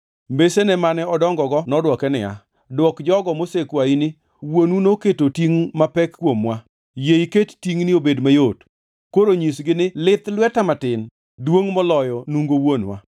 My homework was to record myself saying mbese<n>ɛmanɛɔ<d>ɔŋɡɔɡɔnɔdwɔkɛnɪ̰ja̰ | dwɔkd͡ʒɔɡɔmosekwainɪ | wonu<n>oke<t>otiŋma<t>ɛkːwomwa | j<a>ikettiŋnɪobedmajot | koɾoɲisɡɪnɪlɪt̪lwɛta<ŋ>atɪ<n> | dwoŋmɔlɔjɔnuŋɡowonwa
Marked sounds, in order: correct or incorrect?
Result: correct, correct, correct, correct, incorrect: p, incorrect: e, incorrect: m, correct

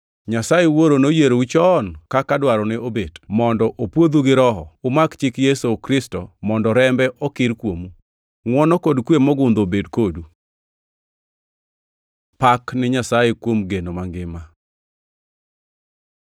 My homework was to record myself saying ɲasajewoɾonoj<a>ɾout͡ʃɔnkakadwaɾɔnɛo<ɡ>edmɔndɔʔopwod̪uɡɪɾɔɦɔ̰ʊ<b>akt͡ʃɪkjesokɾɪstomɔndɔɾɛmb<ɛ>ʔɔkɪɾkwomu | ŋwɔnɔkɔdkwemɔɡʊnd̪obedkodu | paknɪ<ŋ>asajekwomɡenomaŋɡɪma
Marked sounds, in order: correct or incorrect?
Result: incorrect: e, incorrect: b, incorrect: m, correct, incorrect: ɲ

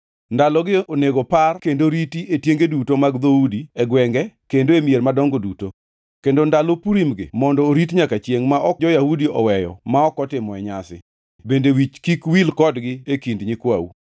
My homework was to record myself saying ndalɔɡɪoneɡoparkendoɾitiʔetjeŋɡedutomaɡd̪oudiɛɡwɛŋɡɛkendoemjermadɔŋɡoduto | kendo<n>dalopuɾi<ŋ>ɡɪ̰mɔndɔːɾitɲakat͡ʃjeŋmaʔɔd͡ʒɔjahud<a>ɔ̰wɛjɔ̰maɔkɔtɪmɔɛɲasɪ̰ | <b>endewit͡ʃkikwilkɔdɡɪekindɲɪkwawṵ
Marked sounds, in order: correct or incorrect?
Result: correct, incorrect: m, incorrect: i, correct

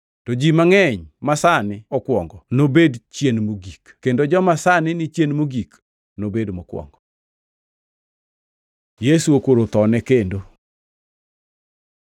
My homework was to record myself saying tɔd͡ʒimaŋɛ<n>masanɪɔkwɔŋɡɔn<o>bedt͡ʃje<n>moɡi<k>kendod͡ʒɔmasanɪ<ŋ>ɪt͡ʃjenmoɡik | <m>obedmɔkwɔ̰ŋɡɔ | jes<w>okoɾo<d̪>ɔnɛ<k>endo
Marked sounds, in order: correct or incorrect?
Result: incorrect: ɲ, correct, correct, correct, incorrect: n, incorrect: n, incorrect: u, incorrect: t̪, correct

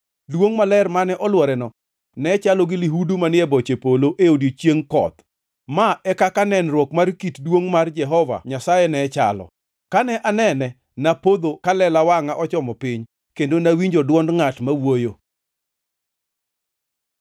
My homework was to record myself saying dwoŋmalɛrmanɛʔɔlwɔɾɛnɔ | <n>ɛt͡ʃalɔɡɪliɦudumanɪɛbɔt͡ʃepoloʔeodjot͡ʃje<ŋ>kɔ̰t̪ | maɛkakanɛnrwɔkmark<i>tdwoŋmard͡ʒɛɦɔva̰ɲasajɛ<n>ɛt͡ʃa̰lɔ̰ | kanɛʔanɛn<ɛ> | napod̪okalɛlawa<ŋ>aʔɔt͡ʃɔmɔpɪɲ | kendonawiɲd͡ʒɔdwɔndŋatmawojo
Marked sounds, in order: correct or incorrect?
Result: correct, correct, correct, correct, correct, correct

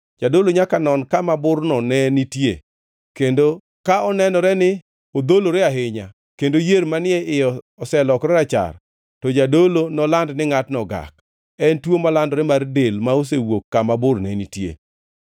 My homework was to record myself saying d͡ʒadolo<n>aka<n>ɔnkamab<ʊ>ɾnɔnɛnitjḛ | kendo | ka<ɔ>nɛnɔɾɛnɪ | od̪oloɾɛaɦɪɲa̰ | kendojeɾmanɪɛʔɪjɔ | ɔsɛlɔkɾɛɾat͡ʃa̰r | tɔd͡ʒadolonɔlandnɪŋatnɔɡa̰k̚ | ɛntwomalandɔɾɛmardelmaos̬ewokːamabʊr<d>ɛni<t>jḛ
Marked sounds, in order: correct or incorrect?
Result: incorrect: ɲ, correct, correct, correct, incorrect: n, correct

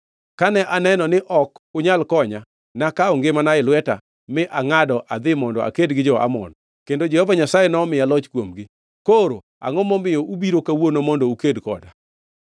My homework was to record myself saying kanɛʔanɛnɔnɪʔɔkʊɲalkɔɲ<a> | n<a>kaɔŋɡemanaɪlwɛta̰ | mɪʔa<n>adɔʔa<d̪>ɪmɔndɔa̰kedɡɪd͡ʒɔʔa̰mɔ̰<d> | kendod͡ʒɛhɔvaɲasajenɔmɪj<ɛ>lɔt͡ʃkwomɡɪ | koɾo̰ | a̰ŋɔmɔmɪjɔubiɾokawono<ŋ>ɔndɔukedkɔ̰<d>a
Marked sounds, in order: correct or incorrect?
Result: correct, correct, incorrect: ŋ, correct, incorrect: n, incorrect: a, incorrect: m, correct

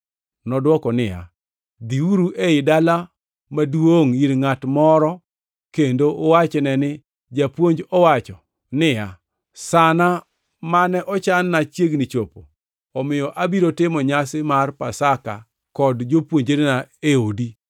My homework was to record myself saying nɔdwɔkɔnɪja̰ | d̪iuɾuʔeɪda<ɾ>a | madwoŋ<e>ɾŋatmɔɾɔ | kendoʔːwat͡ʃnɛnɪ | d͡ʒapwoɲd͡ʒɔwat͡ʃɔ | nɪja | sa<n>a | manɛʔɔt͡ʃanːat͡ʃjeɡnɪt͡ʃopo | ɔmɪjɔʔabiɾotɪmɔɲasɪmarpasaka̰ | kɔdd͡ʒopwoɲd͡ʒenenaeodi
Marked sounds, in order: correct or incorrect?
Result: incorrect: l, incorrect: i, correct

